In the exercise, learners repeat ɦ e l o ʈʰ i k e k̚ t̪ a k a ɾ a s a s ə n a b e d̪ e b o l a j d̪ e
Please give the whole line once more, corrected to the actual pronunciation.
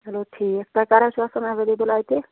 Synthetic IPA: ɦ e l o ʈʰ i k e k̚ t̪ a k a ɾ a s a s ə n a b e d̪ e b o l a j t̪ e